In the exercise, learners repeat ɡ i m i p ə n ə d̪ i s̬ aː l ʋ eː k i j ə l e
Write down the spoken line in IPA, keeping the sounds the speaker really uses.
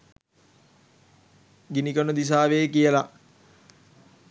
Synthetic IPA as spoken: ɡ i n i k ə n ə d̪ i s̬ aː ʋ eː k i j ə l a